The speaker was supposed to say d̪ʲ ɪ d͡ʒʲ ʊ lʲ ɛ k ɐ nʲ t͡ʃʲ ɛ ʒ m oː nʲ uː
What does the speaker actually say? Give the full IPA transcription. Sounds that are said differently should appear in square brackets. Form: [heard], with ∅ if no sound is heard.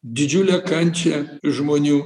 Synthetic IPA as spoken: d̪ʲ ɪ d͡ʒʲ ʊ lʲ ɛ k ɐ nʲ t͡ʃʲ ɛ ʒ m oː nʲ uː

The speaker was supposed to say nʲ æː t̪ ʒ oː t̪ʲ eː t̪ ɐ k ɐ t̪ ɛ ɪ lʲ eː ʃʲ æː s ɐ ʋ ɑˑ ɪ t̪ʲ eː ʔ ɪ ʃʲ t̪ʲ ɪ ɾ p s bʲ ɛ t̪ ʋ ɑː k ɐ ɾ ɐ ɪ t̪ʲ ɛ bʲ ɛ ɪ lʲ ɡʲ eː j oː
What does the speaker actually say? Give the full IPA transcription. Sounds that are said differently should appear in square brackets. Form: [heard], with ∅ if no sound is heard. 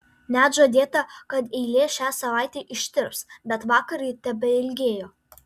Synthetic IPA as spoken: nʲ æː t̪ ʒ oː [d̪ʲ] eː t̪ ɐ k ɐ t̪ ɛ ɪ lʲ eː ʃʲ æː s ɐ ʋ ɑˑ ɪ t̪ʲ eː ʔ ɪ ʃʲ t̪ʲ ɪ ɾ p s bʲ ɛ t̪ ʋ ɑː k ɐ ɾ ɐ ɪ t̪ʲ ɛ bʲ ɛ ɪ lʲ ɡʲ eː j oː

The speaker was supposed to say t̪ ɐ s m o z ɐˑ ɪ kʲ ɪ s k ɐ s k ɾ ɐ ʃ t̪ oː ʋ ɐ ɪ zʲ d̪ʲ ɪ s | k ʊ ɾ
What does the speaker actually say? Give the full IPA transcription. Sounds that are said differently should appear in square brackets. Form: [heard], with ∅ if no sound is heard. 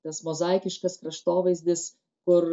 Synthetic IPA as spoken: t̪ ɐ s m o z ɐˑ ɪ kʲ ɪ [ʃ] k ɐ s k ɾ ɐ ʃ t̪ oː ʋ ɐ ɪ zʲ d̪ʲ ɪ s | k ʊ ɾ

